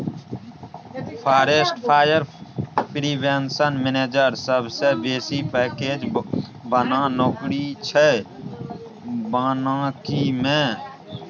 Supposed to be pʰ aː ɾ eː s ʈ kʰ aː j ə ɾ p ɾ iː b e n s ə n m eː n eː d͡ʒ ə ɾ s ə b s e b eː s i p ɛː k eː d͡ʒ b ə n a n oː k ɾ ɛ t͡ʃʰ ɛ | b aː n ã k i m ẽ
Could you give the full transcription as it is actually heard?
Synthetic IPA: pʰ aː ɾ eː s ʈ pʰ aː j ə ɾ p ɾ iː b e n s ə n m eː n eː d͡ʒ ə ɾ s ə b s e b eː s i p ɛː k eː d͡ʒ b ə n a n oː k ɾ i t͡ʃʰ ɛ | b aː n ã k i m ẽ